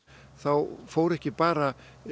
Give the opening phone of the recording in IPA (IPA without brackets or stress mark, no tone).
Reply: θ